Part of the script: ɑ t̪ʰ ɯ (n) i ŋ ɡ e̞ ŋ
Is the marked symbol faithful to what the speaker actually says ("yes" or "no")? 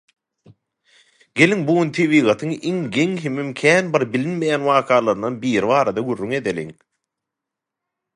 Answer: no